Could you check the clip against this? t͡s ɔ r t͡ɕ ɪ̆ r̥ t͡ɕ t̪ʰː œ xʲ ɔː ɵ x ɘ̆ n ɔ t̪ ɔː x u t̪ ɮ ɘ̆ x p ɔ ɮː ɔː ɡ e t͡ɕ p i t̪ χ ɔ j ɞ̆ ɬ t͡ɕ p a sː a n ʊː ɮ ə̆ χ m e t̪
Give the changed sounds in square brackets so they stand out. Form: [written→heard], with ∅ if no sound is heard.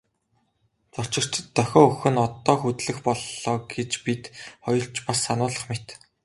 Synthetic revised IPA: t͡s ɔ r t͡ɕ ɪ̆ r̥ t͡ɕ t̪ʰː œ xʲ ɔː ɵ x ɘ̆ n ɔ t̪ ɔː x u t̪ ɮ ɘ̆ x p ɔ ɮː ɔː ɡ e t͡ɕ p i t̪ χ ɔ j ɞ̆ ɬ t͡ɕ p a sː a n ʊː ɮ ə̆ χ m e t̪